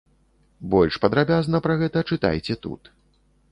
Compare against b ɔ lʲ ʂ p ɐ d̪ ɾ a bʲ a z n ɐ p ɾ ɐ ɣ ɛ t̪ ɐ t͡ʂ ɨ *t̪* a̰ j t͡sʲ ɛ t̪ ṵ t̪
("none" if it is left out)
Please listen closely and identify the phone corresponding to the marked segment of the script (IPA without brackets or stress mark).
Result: t̪